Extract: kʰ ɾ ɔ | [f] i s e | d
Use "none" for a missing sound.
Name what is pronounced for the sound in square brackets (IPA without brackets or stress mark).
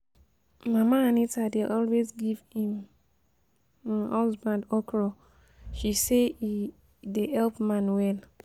ʃ